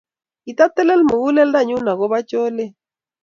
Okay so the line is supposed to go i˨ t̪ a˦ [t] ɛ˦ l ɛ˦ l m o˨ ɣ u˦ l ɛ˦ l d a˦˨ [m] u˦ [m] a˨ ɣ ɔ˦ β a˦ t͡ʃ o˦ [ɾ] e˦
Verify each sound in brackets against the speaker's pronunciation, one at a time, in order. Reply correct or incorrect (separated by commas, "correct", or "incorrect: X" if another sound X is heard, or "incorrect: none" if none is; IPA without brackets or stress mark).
correct, incorrect: ɲ, incorrect: n, incorrect: l